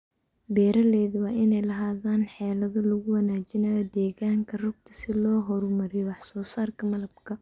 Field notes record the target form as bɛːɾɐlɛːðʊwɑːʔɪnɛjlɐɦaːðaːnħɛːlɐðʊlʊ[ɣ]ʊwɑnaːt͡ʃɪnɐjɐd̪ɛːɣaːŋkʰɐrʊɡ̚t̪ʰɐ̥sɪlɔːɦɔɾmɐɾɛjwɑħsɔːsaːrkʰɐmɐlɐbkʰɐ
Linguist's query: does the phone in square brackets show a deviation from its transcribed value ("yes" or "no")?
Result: no